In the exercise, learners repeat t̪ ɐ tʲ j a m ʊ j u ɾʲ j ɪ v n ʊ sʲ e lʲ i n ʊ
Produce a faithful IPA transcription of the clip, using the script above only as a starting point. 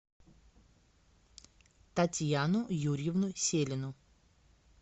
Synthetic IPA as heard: t̪ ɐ tʲ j a n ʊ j u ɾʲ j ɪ v n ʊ sʲ e lʲ ɪ n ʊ